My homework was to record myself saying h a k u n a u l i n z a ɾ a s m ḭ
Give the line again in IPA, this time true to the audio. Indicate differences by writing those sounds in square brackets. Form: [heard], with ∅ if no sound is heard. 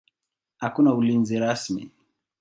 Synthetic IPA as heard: h a k u n a u l i n z [i] ɾ a s m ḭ

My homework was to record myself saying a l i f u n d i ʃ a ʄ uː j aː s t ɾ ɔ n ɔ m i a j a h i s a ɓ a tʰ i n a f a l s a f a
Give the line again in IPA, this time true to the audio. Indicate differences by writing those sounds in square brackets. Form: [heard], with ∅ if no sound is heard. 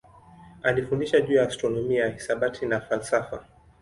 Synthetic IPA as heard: a l i f u n d i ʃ a ʄ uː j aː s t ɾ ɔ n ɔ m i a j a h i s a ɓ a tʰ i n a f a l s a f a

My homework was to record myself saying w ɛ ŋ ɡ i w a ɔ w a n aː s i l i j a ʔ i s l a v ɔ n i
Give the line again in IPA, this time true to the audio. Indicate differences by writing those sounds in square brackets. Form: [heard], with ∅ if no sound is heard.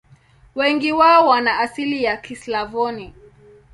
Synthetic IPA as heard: w ɛ ŋ ɡ i w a ɔ w a n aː s i l i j a [k] i s l a v ɔ n i

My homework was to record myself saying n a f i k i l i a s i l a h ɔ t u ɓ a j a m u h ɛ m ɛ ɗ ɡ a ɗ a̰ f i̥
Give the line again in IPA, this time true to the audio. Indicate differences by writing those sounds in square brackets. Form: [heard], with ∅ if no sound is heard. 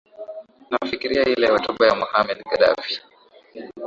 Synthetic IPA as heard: n a f i k i [ɾ] i a [h] i l [ɛ] h ɔ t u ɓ a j a m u h [a] m ɛ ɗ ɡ a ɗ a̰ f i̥

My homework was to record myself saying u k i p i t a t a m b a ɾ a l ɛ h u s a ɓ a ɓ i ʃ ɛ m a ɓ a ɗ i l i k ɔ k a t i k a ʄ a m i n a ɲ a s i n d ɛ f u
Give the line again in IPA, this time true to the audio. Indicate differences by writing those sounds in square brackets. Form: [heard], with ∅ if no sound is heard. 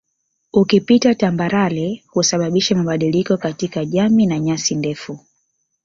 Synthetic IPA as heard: u k i p i t a t a m b a ɾ a l ɛ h u s a ɓ a ɓ i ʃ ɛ m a ɓ a ɗ i l i k ɔ k a t i k a ʄ a m i n a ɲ a s i n d ɛ f u

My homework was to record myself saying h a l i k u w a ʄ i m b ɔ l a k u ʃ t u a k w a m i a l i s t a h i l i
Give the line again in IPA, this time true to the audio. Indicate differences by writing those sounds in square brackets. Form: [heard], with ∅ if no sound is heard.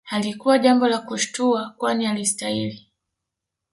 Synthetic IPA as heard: h a l i k u w a ʄ [a] m b ɔ l a k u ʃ t u a k w a [n] i a l i s t a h i l i

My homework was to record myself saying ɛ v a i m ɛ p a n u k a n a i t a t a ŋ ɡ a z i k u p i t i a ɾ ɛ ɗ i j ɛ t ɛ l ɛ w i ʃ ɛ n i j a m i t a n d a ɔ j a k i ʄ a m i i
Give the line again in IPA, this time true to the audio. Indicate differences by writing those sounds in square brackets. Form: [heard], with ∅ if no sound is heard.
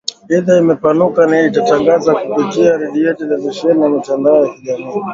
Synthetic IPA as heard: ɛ [ð] a i m ɛ p a n u k a n a i t a t a ŋ ɡ a z [a] k u p i t i a ɾ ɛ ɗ i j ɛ t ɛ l ɛ [v] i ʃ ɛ n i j a m i t a n d a ɔ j a k i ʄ a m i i

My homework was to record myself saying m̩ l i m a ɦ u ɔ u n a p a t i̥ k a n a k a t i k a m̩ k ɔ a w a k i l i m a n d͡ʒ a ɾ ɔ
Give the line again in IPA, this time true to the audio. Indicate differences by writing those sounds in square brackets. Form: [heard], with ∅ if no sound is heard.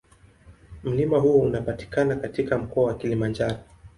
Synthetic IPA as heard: m̩ l i m a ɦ u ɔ u n a p a t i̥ k a n a k a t i k a m̩ k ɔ a w a k i l i m a n d͡ʒ a ɾ ɔ

